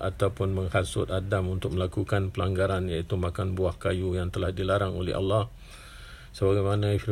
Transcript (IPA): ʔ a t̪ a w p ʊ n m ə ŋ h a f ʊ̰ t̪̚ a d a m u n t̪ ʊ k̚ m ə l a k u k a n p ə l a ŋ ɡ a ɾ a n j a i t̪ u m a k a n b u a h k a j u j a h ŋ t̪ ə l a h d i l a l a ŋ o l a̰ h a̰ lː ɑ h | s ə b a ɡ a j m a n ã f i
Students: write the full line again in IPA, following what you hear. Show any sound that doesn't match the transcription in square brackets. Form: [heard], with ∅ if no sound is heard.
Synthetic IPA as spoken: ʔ a t̪ a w p ʊ n m ə ŋ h a [s] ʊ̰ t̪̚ a d a m u n t̪ ʊ k̚ m ə l a k u k a n p ə l a ŋ ɡ a ɾ a n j a i t̪ u m a k a n b u a h k a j u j a [∅] ŋ t̪ ə l a h d i l a [ɾ] a ŋ o l [ɛ̰] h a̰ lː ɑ h | s ə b a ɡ a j m a n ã f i